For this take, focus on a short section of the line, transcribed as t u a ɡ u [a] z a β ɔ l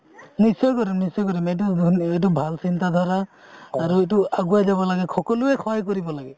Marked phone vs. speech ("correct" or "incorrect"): correct